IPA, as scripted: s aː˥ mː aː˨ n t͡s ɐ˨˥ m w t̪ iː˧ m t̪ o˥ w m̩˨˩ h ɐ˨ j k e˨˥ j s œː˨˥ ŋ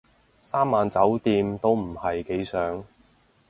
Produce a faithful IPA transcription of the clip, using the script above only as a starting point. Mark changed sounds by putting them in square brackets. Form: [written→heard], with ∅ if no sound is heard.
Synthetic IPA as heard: s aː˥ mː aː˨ n t͡s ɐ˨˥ [m→∅] w t̪ iː˧ m t̪ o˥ w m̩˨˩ h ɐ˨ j k e˨˥ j s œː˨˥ ŋ